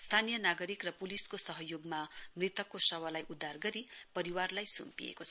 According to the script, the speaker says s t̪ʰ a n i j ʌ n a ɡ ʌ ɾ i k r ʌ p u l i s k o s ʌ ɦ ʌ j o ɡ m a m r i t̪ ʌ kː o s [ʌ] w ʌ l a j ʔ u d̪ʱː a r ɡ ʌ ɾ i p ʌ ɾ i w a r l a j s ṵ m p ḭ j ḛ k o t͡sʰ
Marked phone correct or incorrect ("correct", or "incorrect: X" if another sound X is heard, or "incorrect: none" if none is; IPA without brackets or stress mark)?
correct